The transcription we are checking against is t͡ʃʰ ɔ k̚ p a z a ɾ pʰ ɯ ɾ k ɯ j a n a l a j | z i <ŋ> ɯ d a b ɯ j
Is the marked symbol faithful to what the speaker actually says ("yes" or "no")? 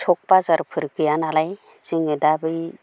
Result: yes